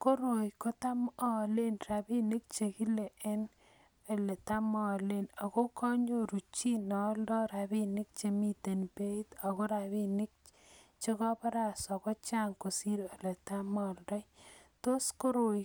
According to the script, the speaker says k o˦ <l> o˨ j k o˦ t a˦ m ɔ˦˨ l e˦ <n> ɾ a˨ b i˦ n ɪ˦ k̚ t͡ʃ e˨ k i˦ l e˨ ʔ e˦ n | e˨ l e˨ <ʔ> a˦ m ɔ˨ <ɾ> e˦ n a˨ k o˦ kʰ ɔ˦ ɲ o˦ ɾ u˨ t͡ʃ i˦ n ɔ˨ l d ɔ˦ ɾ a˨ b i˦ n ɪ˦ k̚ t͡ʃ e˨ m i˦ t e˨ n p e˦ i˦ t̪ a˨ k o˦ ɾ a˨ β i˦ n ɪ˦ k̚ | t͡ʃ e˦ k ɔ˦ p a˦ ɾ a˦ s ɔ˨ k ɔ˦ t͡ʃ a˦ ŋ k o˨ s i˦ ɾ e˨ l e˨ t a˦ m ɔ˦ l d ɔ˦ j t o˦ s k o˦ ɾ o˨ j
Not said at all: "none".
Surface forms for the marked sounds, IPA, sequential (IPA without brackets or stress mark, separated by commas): ɾ, n, t, l